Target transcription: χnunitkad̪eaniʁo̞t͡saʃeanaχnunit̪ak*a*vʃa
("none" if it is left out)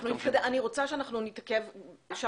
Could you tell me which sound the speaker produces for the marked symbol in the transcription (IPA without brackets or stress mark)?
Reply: e